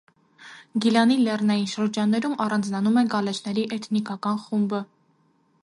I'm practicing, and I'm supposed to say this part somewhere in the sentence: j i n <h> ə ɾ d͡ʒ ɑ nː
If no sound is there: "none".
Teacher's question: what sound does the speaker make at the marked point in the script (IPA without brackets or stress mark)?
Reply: ʃ